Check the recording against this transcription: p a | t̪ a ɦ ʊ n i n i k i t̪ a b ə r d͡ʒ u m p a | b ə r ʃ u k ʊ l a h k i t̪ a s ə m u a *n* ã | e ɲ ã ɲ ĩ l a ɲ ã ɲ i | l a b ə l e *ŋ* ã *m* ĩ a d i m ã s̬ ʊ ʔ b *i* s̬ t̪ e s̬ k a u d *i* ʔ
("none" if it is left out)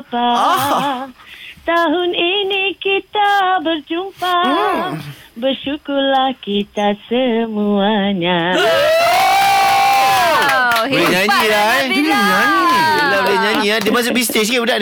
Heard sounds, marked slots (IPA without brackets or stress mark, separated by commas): ɲ, ɲ, ɲ, i, a